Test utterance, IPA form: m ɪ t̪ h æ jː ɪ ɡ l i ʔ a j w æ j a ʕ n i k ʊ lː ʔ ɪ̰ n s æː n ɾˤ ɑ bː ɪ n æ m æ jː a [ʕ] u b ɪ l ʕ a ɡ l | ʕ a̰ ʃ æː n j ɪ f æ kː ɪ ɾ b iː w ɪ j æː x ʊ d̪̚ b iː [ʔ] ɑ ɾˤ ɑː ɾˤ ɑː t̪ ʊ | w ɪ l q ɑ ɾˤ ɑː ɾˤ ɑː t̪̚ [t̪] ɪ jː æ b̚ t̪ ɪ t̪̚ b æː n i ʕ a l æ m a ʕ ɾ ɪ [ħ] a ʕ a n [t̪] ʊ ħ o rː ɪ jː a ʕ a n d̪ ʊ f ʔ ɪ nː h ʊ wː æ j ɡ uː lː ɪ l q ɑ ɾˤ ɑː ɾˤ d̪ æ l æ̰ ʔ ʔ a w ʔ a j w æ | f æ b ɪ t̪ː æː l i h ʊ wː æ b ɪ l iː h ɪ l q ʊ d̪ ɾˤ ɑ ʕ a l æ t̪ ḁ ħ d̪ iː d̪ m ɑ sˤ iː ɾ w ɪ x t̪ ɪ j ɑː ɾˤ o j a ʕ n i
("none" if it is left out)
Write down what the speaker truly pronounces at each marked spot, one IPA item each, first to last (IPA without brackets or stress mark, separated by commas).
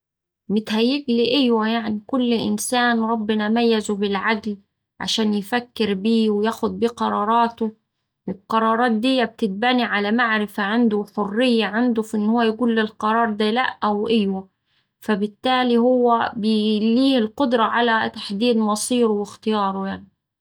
z, q, d̪, f, d̪